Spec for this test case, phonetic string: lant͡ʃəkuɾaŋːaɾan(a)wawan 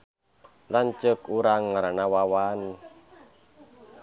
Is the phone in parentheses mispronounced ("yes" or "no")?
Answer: no